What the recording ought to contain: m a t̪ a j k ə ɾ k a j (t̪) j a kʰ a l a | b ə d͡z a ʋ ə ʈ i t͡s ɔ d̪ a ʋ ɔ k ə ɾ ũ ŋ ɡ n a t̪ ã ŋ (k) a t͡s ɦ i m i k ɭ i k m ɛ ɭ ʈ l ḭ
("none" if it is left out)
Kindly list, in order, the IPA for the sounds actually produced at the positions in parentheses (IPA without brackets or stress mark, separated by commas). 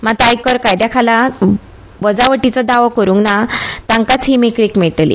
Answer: d̪, k